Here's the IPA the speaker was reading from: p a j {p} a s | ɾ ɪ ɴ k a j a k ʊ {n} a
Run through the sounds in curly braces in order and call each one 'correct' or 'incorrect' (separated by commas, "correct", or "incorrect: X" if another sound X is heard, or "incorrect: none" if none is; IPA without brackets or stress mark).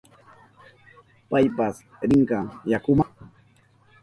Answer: correct, incorrect: m